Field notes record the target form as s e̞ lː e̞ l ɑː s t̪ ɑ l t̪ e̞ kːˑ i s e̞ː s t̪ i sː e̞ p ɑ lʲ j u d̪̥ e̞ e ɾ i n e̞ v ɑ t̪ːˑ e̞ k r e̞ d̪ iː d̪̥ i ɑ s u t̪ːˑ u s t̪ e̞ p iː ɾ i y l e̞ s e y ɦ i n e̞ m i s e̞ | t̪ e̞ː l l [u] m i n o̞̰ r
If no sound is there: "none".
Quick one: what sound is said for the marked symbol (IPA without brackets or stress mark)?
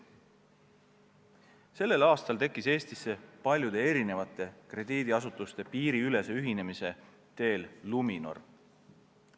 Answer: u